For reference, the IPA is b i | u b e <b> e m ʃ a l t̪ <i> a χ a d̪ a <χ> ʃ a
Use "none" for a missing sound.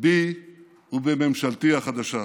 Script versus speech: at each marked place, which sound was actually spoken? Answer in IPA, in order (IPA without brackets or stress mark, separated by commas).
m, i, none